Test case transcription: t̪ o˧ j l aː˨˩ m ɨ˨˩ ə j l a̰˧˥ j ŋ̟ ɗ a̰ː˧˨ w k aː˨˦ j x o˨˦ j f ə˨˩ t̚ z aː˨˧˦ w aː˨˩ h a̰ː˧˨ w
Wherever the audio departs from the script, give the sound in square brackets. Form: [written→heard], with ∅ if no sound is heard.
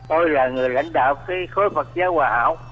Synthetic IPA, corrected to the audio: t̪ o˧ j l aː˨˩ [m→ŋ] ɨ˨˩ ə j l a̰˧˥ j ŋ̟ ɗ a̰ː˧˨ w k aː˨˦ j x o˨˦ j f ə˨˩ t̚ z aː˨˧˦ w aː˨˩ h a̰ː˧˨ w